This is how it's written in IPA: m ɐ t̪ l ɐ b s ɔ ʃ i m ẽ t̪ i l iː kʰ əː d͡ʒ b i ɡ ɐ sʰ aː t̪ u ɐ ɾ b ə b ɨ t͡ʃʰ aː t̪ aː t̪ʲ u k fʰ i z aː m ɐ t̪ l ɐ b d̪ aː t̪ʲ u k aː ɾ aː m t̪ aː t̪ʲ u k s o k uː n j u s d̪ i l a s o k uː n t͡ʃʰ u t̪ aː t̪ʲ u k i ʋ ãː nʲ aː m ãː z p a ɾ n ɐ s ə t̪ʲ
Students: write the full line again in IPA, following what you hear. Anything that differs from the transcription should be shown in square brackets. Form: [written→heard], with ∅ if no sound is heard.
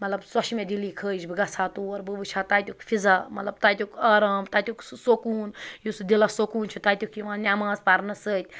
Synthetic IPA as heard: m ɐ t̪ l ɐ b s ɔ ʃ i m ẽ [t̪→d̪] i l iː kʰ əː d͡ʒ b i ɡ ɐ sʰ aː t̪ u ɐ ɾ b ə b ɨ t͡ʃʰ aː t̪ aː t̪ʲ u k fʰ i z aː m ɐ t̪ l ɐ b [d̪→t̪] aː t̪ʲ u k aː ɾ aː m t̪ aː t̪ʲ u k s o k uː n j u s d̪ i l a s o k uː n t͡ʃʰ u t̪ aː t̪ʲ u k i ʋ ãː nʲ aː m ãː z p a ɾ n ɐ s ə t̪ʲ

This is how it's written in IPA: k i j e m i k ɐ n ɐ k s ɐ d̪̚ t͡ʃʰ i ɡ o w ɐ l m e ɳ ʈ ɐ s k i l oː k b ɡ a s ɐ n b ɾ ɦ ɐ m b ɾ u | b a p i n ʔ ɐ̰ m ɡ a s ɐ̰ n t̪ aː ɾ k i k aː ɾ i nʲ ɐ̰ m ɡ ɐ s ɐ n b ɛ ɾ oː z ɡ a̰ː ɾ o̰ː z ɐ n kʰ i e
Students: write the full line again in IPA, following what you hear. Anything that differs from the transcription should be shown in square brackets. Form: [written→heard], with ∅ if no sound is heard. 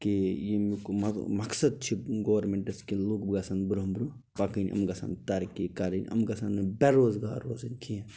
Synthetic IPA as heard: k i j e m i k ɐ [n→m] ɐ k s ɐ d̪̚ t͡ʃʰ i ɡ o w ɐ [l→ɾ] m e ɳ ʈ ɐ s k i l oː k b ɡ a s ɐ n b ɾ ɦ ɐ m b ɾ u | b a [p→k] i n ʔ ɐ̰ m ɡ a s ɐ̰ n t̪ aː ɾ k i k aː ɾ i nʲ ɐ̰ m ɡ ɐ s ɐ n b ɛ ɾ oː z ɡ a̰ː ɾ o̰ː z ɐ n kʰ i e

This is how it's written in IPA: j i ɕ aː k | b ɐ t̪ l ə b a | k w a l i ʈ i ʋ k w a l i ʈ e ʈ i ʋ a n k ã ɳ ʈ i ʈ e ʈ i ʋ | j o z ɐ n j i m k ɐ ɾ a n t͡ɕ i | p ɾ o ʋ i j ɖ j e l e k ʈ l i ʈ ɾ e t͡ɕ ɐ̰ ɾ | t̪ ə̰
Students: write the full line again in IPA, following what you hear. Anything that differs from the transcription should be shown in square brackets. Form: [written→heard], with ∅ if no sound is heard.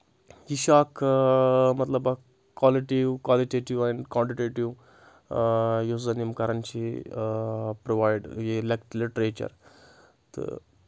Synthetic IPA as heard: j i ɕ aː k | [b→m] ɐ t̪ l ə b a | k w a l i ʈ i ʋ k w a l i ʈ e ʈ i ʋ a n k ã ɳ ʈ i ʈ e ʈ i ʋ | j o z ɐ n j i m k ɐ ɾ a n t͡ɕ i | p ɾ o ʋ [i→a] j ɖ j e l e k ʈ l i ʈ ɾ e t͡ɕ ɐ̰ ɾ | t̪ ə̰

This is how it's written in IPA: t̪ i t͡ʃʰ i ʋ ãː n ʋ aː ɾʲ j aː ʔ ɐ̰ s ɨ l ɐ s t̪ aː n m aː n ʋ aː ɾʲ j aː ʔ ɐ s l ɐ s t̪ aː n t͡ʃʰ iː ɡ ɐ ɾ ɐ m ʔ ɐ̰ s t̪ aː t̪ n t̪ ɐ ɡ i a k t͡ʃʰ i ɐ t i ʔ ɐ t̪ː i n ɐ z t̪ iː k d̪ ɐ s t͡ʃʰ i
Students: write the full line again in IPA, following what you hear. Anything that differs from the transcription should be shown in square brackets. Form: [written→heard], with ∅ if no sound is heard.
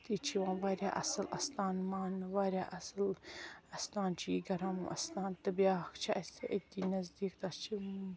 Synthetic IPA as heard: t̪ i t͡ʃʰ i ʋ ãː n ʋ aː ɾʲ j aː ʔ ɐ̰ s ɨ l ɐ s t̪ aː n m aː n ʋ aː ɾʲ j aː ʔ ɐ s l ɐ s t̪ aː n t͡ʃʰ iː ɡ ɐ ɾ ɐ m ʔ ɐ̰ s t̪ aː [t̪→∅] n t̪ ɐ [ɡ→b] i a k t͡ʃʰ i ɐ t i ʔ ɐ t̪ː i n ɐ z [t̪→d̪] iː k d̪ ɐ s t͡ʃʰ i

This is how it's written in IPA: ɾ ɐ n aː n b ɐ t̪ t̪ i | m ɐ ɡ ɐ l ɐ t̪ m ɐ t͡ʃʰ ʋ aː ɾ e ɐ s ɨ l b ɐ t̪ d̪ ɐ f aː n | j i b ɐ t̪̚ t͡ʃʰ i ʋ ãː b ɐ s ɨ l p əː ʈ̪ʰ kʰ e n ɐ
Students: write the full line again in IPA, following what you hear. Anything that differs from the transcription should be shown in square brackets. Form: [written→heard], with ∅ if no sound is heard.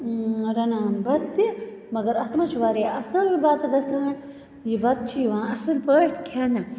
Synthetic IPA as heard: ɾ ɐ n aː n b ɐ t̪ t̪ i | m ɐ ɡ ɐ [l→ɾ] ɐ t̪ m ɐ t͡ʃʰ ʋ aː ɾ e ɐ s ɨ l b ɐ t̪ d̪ ɐ [f→s] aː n | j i b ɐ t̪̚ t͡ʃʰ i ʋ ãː [b→∅] ɐ s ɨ l p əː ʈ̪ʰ kʰ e n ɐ

